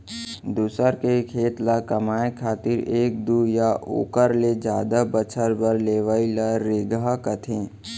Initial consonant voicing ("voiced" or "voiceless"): voiced